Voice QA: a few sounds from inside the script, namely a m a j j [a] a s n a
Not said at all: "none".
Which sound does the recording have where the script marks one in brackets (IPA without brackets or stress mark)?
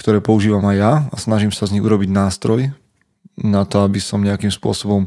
a